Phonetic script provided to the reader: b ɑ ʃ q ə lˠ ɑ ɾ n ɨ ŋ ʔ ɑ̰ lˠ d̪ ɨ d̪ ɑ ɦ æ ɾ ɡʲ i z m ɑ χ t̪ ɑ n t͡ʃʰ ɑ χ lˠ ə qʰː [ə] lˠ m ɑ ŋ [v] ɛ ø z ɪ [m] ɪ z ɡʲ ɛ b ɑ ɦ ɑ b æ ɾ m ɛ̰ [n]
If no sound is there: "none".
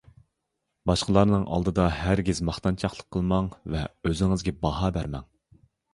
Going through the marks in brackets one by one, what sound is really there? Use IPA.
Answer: ə, v, ŋ, ŋ

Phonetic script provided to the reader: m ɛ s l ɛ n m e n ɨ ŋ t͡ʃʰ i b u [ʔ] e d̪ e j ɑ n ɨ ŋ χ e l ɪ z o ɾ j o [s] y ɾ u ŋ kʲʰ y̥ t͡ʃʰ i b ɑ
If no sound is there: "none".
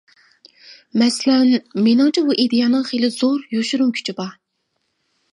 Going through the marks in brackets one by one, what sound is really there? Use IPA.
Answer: ʔ, ʃ

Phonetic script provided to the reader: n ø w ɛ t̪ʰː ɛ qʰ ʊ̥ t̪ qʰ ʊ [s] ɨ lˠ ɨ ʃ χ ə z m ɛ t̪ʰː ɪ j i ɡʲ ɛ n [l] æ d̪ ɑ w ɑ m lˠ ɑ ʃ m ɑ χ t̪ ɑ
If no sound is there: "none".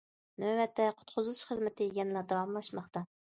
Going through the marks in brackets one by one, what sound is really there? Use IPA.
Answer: z, l

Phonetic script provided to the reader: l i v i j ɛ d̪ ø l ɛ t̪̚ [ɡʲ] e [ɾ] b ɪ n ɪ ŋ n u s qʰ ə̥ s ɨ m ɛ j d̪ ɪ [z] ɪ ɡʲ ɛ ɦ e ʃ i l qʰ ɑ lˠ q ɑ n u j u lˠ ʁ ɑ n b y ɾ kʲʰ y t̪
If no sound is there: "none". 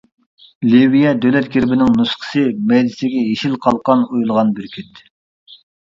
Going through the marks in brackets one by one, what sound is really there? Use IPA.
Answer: ɡʲ, ɾ, s

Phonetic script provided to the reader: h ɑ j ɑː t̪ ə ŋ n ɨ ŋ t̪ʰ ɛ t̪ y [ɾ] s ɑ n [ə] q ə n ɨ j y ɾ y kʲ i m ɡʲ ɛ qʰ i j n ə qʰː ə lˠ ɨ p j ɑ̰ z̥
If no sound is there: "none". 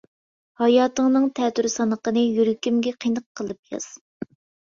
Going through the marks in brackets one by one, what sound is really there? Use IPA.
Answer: ɾ, ə

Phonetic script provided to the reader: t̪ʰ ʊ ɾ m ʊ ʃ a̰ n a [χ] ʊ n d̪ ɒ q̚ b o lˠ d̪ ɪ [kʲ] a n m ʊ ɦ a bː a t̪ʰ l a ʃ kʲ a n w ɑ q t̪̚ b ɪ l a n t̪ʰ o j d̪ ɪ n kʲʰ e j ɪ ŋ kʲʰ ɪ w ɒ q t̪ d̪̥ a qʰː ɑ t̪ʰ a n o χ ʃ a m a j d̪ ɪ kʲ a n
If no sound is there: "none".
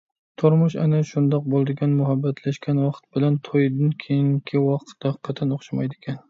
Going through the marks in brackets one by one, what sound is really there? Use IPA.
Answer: ʃ, ɡʲ

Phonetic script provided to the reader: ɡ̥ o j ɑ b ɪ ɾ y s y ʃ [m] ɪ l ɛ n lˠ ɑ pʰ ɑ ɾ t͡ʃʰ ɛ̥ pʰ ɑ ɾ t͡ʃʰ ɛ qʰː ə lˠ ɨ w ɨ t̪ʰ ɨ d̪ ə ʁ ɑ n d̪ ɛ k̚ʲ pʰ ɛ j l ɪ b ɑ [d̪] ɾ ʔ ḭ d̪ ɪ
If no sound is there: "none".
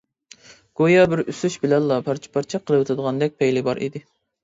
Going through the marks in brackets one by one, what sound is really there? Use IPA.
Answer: b, none

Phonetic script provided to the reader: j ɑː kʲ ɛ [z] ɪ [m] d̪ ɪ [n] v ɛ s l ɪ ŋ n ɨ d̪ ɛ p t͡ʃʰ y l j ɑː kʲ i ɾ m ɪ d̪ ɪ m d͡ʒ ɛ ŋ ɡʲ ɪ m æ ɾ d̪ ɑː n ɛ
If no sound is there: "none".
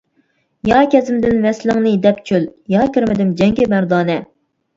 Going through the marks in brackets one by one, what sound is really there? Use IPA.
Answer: z, m, n

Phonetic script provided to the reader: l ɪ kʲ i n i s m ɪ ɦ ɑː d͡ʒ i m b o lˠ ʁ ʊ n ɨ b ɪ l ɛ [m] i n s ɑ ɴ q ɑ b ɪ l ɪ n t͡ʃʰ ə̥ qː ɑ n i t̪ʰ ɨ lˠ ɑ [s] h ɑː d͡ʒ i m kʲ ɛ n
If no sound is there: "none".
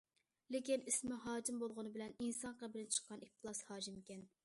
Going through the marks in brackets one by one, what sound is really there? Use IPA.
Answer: n, s

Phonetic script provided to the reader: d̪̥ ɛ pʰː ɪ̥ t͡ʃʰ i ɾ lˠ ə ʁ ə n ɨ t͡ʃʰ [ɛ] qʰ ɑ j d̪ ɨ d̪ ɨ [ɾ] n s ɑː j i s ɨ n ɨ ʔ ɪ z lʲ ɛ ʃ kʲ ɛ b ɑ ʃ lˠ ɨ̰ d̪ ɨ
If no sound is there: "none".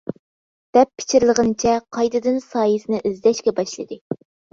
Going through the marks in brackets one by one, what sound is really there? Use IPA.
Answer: ɛ, none

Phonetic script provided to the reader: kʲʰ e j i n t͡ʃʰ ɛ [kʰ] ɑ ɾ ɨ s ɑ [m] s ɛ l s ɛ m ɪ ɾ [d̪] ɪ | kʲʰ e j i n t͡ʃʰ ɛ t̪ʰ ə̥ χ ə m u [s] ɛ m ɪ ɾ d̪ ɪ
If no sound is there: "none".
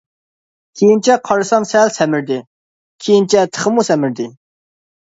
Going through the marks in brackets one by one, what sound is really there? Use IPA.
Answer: qʰ, m, d̪, s

